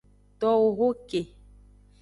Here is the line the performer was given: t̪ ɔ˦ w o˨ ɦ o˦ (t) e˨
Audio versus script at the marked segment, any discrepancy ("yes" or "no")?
yes